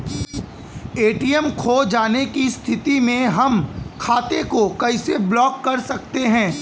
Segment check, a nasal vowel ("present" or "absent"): present